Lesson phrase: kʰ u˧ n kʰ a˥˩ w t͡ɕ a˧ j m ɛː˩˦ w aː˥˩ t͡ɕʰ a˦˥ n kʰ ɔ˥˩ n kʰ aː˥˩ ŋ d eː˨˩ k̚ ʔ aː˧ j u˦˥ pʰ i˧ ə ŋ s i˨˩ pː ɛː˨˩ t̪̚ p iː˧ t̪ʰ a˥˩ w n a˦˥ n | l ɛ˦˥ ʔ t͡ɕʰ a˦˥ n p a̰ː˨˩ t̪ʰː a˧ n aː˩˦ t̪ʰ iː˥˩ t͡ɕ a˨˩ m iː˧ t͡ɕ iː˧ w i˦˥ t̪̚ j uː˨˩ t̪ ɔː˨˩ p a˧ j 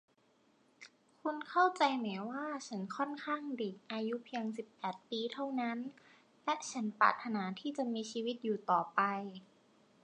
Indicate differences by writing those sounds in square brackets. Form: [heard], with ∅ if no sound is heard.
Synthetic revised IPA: kʰ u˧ n kʰ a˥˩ w t͡ɕ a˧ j m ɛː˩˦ w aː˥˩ t͡ɕʰ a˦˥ n kʰ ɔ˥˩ n kʰ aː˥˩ ŋ d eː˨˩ k̚ ʔ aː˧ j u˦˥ pʰ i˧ ə ŋ s i˨˩ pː ɛː˨˩ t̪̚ p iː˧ t̪ʰ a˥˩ w n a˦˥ n | l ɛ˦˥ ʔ t͡ɕʰ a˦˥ n p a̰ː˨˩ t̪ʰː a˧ n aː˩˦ t̪ʰ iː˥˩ t͡ɕ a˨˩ m iː˧ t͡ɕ iː˧ w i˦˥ t̪̚ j uː˨˩ t̪ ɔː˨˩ p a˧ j